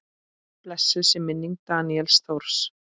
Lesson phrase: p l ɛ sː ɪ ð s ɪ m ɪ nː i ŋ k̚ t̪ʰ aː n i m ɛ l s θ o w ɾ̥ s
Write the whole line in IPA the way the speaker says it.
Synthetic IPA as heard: p l ɛ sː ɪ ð s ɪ m ɪ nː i ŋ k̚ t̪ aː n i ɛ l s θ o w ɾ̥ s